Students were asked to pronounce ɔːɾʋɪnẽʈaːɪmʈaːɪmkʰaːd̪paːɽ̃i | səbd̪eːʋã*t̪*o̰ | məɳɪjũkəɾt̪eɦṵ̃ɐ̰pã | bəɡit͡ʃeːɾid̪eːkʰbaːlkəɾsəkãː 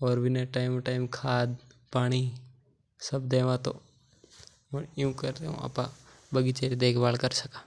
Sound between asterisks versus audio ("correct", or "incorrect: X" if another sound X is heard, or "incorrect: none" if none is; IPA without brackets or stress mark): correct